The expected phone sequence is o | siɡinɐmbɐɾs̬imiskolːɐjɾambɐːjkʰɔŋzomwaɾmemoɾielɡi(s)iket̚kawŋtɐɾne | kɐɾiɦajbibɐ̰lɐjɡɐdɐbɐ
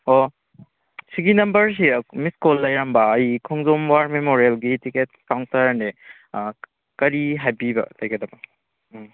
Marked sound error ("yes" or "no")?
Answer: yes